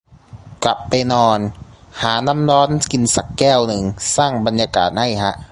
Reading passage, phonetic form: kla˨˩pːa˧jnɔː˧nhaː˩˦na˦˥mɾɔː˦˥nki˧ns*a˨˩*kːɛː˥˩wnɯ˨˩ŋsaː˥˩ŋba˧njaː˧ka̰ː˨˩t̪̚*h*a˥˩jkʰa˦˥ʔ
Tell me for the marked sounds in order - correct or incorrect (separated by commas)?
correct, correct